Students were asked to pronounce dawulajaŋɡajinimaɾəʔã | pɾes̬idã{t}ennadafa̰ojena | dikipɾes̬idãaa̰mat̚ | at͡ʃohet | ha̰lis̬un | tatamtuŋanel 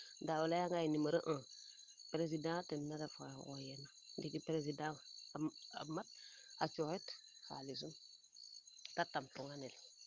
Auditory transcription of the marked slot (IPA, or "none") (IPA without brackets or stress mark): t